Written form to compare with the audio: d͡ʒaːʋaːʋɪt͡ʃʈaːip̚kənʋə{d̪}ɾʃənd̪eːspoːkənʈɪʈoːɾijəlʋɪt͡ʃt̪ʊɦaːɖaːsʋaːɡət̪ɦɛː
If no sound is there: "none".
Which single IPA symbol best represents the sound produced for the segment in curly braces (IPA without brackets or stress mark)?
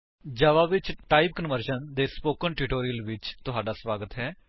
none